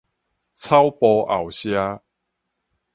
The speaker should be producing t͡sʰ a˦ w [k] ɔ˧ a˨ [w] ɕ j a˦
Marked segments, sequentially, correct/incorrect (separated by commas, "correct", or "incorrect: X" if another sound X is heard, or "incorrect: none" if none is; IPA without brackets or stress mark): incorrect: p, correct